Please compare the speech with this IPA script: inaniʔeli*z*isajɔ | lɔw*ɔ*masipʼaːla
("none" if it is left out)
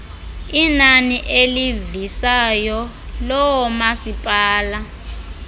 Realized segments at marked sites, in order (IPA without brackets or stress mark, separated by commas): v, ɔ